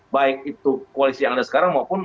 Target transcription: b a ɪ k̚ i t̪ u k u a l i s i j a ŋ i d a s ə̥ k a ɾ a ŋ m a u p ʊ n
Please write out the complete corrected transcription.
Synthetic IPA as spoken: b a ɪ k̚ i t̪ u k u a l i s i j a ŋ a d a s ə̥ k a ɾ a ŋ m a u p ʊ n